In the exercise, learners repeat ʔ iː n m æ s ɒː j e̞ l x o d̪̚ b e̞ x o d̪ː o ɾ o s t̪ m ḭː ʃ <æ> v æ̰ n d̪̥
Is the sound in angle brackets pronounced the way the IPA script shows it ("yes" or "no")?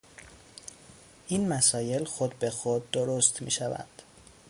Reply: yes